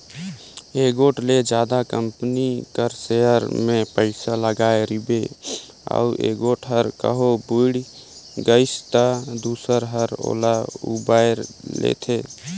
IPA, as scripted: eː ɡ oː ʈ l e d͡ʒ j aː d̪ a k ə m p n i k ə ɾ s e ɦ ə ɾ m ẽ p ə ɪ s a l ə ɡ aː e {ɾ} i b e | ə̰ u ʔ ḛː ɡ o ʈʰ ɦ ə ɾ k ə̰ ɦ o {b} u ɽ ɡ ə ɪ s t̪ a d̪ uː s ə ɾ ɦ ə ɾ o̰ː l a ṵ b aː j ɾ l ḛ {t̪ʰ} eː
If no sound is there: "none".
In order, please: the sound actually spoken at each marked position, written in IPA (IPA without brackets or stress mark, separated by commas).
ɾ, b, t̪ʰ